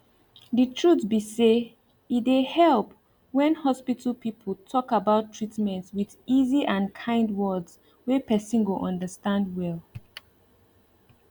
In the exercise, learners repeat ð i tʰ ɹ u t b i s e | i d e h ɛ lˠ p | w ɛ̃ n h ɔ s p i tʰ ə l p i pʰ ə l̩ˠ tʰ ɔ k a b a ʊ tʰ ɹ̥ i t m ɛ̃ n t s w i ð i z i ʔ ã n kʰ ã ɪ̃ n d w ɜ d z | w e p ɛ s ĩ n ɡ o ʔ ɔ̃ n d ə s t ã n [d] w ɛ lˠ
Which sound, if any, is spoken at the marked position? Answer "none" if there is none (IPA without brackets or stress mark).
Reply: d